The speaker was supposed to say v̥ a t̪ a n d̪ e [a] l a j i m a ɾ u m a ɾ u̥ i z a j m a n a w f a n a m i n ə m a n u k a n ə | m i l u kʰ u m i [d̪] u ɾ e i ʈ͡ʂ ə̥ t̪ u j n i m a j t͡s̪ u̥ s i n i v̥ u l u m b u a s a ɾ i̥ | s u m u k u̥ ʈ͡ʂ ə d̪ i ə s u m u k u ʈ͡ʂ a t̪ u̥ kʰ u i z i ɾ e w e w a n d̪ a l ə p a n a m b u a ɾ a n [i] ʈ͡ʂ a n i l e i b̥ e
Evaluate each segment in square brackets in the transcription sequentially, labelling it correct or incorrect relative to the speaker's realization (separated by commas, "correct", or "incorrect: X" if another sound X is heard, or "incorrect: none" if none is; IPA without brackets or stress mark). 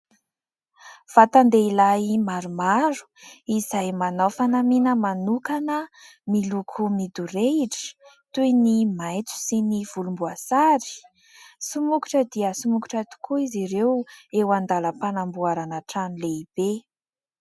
incorrect: i, correct, incorrect: a